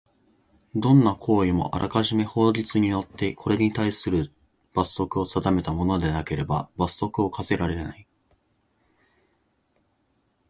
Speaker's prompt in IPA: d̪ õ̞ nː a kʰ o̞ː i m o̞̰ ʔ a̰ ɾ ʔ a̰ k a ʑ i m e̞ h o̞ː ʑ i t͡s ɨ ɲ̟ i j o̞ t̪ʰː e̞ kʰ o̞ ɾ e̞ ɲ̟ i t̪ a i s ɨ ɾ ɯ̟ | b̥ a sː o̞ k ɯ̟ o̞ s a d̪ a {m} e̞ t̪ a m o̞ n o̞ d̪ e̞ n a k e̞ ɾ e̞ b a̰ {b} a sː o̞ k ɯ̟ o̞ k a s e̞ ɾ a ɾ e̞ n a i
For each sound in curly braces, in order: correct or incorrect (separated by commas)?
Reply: correct, correct